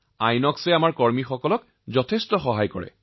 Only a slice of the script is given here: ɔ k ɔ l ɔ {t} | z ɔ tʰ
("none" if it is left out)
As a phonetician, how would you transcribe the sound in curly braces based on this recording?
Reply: k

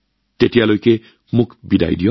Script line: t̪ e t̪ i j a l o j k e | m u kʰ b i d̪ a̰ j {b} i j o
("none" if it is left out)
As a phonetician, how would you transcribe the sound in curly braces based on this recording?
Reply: d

